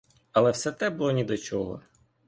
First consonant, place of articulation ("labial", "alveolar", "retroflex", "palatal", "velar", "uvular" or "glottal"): alveolar